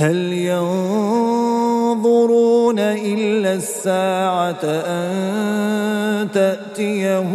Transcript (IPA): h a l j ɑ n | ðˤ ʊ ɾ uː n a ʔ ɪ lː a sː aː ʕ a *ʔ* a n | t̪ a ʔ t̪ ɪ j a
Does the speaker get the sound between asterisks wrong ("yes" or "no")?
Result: no